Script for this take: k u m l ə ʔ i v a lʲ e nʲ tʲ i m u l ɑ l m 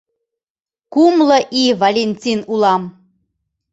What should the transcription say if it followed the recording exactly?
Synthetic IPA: k u m l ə ʔ i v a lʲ e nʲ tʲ i n u l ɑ m